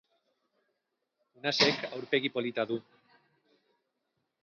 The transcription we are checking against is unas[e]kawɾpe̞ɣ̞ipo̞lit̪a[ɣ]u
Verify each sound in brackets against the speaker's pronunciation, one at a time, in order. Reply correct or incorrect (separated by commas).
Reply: correct, incorrect